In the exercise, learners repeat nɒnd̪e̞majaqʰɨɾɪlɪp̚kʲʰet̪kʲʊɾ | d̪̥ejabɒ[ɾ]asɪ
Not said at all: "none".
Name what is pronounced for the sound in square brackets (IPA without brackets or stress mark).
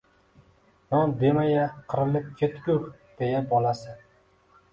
l